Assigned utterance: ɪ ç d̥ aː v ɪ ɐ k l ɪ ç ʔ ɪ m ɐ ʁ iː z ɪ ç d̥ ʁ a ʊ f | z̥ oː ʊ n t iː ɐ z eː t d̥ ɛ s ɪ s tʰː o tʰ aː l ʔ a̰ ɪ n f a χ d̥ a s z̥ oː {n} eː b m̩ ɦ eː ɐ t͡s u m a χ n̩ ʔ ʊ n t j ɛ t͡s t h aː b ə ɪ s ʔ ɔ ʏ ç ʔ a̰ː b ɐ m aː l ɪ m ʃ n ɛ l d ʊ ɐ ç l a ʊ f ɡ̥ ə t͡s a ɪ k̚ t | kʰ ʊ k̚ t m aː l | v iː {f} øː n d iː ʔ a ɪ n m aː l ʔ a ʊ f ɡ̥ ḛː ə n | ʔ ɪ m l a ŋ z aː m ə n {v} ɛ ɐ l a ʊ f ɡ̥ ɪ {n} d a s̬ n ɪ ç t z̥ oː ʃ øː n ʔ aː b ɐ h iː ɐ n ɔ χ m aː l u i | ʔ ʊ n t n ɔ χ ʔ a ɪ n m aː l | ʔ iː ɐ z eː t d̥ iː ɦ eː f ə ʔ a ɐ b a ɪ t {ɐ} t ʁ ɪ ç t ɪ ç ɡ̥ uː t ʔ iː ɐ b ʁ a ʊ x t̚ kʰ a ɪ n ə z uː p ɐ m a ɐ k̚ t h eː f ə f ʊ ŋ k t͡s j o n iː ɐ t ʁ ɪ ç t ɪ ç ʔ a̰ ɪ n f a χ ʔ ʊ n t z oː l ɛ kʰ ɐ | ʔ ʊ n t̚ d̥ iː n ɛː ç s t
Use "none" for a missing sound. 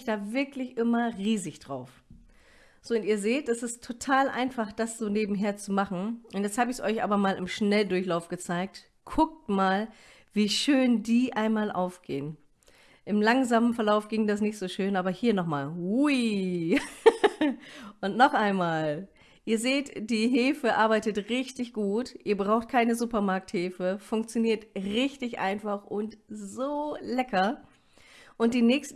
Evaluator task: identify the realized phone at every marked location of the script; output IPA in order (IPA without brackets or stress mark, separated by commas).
n, ʃ, f, ŋ, ə